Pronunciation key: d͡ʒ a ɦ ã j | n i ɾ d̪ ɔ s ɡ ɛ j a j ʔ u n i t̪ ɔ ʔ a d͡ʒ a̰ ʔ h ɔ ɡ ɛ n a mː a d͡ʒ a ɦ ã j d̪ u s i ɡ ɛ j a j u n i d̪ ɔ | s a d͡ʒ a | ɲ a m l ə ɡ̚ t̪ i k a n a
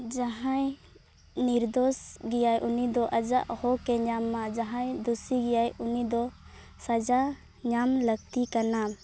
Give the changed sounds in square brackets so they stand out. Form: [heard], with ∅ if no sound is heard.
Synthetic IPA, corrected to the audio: d͡ʒ a ɦ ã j | n i ɾ d̪ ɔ s ɡ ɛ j a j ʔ u n i [d̪] ɔ ʔ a d͡ʒ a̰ ʔ h ɔ [k] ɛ [ɲ] a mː a d͡ʒ a ɦ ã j d̪ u s i ɡ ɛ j a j u n i d̪ ɔ | s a d͡ʒ a | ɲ a m l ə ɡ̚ t̪ i k a n a